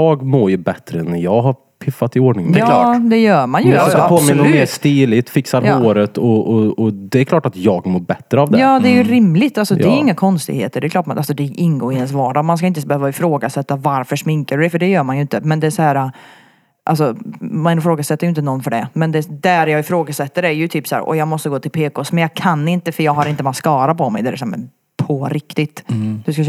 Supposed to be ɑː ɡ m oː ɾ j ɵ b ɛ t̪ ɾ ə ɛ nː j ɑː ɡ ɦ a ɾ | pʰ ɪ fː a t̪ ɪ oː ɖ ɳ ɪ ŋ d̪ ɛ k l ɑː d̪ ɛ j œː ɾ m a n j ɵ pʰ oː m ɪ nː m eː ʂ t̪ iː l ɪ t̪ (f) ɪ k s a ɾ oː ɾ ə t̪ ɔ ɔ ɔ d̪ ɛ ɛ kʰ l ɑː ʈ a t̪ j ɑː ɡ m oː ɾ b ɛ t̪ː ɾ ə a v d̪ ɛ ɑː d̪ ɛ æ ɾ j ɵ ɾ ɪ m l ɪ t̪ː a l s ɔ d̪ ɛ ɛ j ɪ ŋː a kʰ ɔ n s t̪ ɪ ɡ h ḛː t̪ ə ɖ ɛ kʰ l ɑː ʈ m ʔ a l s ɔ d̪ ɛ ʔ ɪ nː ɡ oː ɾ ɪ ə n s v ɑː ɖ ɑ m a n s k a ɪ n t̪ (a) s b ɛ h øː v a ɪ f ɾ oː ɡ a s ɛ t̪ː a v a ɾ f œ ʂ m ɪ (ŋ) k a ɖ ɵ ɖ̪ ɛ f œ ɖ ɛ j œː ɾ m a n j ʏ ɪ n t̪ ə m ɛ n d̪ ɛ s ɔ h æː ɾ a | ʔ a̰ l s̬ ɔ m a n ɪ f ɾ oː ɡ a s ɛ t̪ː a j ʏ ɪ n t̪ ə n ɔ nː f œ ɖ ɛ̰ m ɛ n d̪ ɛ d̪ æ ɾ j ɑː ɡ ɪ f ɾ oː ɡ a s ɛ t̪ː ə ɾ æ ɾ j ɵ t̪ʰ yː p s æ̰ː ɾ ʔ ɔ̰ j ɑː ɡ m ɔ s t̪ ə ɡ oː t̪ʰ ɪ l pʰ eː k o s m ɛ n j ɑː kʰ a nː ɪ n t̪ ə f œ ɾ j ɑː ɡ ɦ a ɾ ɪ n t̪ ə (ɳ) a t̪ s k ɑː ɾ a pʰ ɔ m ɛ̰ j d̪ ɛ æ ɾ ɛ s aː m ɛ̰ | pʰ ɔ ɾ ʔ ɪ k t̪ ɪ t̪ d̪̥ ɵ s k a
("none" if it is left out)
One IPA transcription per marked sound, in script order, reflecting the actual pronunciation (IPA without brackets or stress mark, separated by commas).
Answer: f, ə, ŋ, m